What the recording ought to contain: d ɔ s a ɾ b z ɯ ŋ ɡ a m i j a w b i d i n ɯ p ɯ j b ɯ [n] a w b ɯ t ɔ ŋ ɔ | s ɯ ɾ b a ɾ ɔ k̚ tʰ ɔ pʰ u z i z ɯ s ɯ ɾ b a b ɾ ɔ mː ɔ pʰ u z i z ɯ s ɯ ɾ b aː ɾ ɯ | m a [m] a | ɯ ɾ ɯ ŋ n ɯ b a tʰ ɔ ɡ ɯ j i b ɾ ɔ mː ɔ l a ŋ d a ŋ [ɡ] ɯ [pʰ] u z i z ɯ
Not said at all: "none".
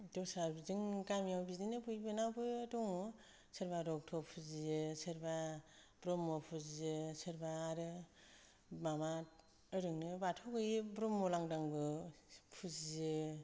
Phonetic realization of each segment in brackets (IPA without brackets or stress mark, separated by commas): n, m, b, pʰ